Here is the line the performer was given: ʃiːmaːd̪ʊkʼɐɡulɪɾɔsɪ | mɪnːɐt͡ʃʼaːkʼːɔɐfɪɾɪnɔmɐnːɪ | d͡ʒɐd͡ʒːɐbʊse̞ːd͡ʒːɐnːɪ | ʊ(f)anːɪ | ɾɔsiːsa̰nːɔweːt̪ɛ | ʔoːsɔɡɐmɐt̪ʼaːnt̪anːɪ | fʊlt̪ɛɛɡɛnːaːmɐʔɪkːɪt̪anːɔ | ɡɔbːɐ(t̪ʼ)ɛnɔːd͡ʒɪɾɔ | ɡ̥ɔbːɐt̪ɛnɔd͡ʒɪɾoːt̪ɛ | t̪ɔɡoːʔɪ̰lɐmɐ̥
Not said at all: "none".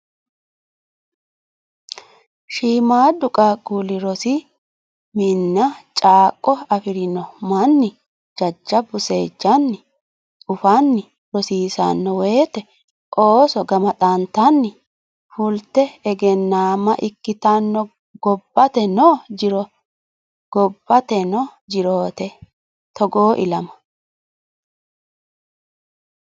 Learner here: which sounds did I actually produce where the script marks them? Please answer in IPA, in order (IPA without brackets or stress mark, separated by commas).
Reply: f, t̪